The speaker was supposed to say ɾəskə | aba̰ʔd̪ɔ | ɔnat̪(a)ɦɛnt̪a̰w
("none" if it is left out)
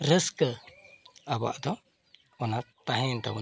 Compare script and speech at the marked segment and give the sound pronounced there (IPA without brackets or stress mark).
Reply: a